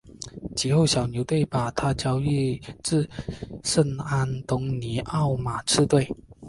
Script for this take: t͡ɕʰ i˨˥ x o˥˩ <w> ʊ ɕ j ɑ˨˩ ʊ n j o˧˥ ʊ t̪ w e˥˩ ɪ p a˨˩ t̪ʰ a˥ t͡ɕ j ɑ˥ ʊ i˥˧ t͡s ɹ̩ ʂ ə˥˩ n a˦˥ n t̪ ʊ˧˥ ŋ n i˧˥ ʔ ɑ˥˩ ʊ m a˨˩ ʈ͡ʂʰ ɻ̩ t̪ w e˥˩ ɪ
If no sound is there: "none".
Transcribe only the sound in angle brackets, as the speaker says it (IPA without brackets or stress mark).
none